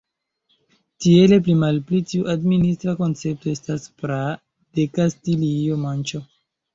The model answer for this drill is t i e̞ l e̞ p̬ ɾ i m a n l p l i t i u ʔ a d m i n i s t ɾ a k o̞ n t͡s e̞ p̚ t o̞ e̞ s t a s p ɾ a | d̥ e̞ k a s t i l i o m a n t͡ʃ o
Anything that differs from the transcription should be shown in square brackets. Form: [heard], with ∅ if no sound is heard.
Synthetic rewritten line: t i e̞ l e̞ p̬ [l] i m a [∅] l p l i t i u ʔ a d m i n i s t ɾ a k o̞ n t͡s e̞ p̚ t o̞ e̞ s t a s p ɾ a | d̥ e̞ k a s t i l i o m a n t͡ʃ o